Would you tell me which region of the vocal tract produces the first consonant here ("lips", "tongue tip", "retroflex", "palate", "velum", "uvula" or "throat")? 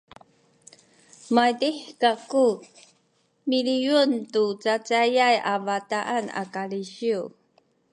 lips